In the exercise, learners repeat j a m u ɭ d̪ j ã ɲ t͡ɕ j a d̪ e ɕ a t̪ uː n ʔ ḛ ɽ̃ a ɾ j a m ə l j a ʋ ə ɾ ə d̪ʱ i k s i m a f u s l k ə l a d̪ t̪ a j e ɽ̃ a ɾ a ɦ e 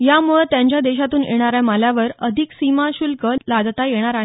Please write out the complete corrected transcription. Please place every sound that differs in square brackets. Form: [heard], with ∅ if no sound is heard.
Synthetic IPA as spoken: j a m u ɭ [t̪] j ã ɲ t͡ɕ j a d̪ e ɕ a t̪ uː n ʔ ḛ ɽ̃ a ɾ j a m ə l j a ʋ ə ɾ ə d̪ʱ i k s i m a [ɕ] u [∅] l k ə l a d̪ t̪ a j e ɽ̃ a ɾ a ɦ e